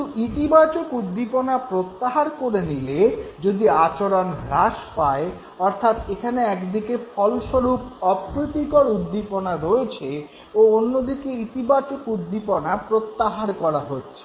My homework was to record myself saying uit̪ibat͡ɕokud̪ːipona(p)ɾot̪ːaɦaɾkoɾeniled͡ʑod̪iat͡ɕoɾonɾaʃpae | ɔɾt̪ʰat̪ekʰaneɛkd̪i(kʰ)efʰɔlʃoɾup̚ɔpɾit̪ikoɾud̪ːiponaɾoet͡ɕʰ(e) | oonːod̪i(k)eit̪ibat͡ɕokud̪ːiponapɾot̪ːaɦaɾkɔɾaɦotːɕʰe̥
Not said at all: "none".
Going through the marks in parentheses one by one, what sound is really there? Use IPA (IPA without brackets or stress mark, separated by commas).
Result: p, k, e, k